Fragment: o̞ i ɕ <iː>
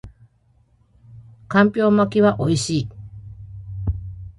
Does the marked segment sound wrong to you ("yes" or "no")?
no